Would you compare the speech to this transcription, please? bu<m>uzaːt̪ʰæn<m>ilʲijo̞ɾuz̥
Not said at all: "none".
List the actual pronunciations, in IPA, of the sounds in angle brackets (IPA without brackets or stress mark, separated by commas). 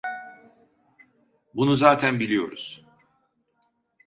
n, b